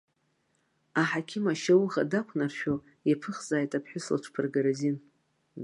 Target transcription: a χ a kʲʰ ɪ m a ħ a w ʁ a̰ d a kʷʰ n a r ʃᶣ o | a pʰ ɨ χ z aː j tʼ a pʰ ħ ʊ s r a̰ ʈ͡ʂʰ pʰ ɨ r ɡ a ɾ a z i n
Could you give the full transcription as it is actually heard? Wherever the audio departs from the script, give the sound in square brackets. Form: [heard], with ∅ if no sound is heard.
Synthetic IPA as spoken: a [ħ] a kʲʰ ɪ m a [ʃ] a w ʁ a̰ d a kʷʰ n a r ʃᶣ o | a pʰ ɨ χ z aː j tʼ a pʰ ħ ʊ s [l] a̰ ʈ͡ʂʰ pʰ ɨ r ɡ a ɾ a z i n